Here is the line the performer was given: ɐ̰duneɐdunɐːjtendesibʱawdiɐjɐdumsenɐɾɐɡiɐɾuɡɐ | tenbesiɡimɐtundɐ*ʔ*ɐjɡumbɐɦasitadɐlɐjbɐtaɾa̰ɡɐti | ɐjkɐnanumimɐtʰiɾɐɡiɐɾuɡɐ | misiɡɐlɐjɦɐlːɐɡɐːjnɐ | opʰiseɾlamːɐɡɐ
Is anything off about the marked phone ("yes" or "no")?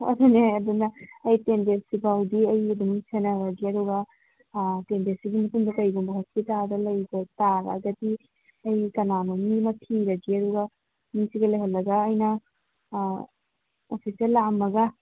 yes